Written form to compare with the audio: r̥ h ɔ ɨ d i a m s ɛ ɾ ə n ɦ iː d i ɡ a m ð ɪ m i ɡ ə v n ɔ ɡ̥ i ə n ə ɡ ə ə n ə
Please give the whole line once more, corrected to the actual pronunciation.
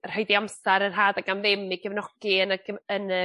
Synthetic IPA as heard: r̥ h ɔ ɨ d i a m s a ɾ ə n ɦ aː d a ɡ a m ð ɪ m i ɡ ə v n ɔ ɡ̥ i ə n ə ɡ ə ə n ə